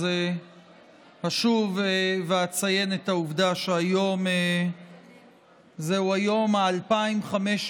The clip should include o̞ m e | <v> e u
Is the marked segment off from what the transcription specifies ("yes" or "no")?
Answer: yes